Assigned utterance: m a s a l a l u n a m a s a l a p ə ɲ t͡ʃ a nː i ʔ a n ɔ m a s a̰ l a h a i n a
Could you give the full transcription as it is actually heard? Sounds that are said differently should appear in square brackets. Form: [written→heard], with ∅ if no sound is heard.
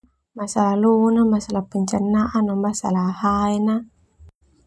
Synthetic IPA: m a s a l a l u n a m a s a l a p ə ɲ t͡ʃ a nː [i→a] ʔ a n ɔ m a s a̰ l a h a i n a

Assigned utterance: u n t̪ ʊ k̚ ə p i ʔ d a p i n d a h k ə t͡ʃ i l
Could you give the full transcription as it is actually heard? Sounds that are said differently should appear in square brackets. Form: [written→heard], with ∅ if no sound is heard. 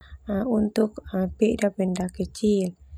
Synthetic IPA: u n t̪ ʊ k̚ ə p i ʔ d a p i n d a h k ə t͡ʃ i l

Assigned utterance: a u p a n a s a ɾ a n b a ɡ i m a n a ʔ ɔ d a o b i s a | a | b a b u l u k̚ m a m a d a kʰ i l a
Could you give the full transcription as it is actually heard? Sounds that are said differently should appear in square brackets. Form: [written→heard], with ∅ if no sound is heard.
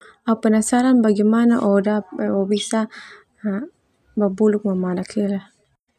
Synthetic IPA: a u p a n a s a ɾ a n b a ɡ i m a n a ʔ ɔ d a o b i s a | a | b a b u l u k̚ m a m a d a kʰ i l a

